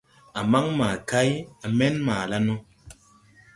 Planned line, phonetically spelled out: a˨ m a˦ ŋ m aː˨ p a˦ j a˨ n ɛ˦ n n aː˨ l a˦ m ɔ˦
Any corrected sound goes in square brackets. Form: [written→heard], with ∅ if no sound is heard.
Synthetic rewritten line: a˨ m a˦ ŋ m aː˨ [p→k] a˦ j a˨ [n→m] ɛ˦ n [n→m] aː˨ l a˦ [m→n] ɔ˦